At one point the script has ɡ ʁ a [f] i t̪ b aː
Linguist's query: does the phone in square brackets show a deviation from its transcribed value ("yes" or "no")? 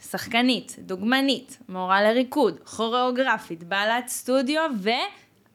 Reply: no